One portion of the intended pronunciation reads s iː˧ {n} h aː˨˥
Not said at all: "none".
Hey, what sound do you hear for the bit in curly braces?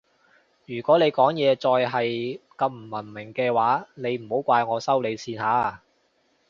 n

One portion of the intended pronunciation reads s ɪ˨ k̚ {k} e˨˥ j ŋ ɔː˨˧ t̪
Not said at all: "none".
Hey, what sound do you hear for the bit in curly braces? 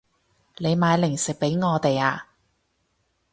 p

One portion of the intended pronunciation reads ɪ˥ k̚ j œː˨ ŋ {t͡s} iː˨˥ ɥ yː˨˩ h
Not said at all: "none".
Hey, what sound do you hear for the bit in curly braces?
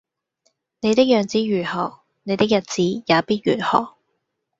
t͡s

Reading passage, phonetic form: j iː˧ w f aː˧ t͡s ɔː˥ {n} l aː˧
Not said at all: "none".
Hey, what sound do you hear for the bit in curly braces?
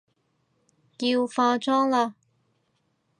ŋ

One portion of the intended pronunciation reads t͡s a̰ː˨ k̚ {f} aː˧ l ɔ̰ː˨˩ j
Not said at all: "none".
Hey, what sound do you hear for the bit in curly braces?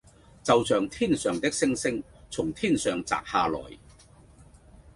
h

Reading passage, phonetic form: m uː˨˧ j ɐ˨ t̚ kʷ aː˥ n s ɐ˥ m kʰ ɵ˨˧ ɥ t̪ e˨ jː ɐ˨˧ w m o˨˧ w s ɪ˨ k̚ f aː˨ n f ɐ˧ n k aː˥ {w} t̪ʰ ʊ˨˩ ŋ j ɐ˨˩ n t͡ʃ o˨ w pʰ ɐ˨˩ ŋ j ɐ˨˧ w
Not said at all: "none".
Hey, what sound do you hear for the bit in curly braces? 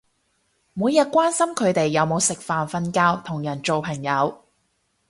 w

